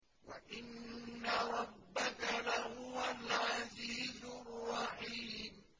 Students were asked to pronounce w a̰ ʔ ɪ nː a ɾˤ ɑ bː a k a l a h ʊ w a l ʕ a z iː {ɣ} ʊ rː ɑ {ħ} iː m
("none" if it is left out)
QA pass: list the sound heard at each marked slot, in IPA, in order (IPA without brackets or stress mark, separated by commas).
z, ħ